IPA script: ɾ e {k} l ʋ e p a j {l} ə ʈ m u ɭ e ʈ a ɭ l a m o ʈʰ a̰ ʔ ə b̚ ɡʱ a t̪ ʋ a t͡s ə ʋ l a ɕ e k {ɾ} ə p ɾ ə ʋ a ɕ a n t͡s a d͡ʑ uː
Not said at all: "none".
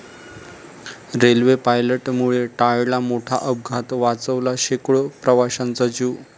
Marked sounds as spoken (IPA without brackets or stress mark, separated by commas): none, l, ɭ